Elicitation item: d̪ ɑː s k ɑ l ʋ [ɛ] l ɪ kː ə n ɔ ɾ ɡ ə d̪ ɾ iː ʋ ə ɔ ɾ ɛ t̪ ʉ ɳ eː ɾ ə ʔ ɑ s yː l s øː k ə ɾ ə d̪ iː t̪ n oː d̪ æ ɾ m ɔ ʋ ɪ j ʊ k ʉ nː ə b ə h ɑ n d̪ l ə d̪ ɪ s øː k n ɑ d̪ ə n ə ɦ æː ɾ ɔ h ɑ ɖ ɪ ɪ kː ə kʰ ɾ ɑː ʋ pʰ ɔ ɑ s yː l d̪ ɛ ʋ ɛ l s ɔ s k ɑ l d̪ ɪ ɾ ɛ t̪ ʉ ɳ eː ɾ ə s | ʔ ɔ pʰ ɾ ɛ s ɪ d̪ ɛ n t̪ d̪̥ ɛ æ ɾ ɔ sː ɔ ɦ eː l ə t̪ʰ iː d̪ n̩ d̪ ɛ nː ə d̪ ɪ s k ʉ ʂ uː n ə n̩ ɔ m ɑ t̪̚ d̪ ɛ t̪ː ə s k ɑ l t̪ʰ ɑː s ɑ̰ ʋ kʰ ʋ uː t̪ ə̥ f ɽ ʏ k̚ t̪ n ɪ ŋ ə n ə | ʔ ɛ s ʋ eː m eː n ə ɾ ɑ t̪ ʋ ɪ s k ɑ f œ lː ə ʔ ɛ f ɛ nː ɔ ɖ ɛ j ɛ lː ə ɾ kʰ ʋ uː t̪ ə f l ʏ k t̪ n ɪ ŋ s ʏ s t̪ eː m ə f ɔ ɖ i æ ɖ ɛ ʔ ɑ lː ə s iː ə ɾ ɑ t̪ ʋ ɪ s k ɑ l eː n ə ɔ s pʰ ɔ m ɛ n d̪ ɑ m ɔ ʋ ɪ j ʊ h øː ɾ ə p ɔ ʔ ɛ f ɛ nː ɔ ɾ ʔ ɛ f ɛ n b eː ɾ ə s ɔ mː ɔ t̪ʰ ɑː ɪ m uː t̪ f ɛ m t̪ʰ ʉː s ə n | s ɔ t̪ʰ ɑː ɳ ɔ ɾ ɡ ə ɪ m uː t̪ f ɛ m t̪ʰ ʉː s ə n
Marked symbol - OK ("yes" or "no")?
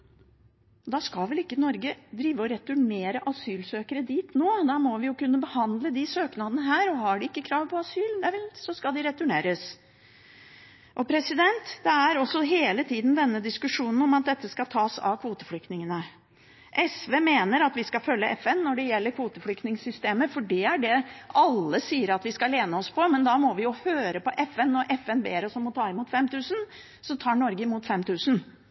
yes